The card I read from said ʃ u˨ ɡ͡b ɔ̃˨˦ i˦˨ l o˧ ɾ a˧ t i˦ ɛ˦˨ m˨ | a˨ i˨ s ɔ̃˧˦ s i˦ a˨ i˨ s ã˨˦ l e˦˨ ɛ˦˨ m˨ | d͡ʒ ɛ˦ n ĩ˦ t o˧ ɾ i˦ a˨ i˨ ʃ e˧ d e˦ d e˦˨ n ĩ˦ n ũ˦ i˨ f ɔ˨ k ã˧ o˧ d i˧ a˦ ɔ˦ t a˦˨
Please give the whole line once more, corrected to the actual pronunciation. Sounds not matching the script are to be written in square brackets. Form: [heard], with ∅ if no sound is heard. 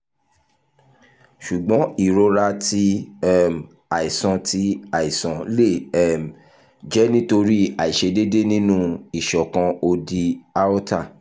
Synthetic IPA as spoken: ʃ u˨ ɡ͡b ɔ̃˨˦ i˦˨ [ɾ] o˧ ɾ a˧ t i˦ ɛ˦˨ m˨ | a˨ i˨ s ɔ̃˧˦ [t] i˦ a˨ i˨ s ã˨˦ l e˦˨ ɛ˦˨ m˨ | d͡ʒ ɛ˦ n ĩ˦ t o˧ ɾ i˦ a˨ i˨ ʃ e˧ d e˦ d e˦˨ n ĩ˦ n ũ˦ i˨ [ʃ] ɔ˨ k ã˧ o˧ d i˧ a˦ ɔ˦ t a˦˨